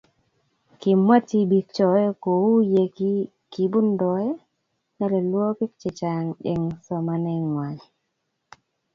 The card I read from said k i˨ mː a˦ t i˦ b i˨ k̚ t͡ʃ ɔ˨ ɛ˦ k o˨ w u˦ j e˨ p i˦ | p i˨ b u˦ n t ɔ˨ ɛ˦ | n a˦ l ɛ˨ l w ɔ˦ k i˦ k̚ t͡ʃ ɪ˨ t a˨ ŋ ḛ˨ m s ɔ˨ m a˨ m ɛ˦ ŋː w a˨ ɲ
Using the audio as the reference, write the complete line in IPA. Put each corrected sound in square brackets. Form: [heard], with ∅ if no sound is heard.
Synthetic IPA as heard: k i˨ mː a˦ t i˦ b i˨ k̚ t͡ʃ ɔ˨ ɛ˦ k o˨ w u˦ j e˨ [k] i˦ | [k] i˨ b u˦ n [d] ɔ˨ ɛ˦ | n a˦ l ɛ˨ l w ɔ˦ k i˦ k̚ t͡ʃ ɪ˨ [t͡ʃ] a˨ ŋ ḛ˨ [ŋ] s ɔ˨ m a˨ [n] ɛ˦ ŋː w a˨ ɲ

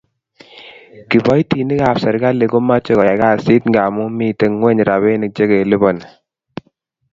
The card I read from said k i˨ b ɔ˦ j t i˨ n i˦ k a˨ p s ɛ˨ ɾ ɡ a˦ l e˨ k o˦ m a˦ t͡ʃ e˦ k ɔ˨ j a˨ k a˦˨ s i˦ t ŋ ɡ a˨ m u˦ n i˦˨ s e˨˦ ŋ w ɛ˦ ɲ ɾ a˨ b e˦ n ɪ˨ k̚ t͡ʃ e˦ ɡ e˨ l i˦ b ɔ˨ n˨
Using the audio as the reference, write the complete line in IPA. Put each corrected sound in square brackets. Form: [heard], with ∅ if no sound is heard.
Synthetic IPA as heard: k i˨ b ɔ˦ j t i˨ n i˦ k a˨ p s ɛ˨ ɾ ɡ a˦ l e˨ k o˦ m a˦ t͡ʃ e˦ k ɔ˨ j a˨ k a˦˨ s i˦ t ŋ ɡ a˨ m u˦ [m] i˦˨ [t] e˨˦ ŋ w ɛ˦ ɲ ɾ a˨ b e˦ n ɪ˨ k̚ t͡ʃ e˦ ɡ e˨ l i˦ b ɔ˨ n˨

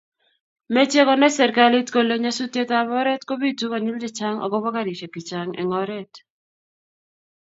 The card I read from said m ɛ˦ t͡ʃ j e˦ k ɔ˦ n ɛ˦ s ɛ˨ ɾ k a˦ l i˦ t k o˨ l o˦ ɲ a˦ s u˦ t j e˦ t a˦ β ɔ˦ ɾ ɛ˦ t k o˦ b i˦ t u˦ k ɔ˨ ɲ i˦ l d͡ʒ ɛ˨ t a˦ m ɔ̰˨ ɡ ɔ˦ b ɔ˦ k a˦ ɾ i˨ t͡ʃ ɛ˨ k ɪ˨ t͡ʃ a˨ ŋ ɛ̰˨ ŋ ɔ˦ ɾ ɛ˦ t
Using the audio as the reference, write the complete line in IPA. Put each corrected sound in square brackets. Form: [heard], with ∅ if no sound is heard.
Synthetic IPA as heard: m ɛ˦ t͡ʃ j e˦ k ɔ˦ n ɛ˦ s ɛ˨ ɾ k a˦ l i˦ t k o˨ l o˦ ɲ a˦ s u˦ t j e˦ t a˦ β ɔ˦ ɾ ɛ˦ t k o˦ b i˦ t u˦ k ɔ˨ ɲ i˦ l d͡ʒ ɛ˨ [t͡ʃ] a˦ [ŋ] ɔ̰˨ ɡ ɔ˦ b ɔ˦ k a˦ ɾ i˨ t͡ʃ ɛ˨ k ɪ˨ t͡ʃ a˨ ŋ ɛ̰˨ ŋ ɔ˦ ɾ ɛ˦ t

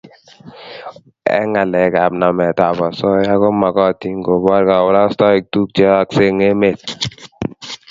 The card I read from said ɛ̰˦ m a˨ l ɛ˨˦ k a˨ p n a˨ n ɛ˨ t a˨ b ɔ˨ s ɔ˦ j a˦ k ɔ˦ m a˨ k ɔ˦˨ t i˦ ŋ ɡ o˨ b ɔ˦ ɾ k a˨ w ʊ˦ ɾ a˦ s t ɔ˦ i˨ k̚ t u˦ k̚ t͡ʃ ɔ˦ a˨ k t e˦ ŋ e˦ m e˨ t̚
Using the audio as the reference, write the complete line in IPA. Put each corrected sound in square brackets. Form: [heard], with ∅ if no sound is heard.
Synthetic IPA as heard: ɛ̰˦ [ŋ] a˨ l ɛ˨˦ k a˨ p n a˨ [m] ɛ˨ t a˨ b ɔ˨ s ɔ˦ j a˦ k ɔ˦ m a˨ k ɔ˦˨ t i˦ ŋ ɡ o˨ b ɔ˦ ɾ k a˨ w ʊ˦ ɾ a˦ s t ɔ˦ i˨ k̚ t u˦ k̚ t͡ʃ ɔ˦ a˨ k [s] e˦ ŋ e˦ m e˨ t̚

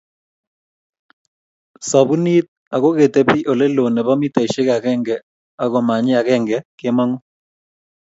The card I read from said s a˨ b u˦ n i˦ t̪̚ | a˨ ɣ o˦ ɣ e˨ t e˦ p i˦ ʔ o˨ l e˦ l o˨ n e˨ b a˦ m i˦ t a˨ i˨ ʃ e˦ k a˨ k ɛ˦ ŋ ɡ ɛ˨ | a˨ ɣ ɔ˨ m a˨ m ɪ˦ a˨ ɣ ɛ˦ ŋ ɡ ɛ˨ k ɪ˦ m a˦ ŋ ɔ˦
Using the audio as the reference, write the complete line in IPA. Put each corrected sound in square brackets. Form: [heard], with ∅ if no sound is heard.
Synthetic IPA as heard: s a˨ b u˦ n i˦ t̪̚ | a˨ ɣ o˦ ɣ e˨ t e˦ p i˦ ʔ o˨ l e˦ l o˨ n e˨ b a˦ m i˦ t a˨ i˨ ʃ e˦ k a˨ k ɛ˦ ŋ ɡ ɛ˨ | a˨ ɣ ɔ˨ m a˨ [ɲ] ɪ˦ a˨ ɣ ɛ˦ ŋ ɡ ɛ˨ k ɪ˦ m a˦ ŋ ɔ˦

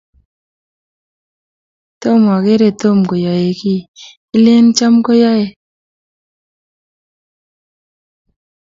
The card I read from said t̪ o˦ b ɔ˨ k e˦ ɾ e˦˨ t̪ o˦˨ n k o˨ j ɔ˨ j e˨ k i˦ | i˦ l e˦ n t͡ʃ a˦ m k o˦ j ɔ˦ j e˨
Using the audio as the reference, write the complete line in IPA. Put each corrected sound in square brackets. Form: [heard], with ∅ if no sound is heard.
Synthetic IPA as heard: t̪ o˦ [m] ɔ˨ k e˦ ɾ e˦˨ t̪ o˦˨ [m] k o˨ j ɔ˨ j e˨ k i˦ | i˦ l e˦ n t͡ʃ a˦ m k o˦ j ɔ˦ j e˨

